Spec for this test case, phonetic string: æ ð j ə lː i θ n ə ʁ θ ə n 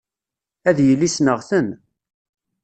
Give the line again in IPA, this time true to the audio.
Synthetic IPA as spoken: æ ð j ə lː i s n ə ʁ θ ə n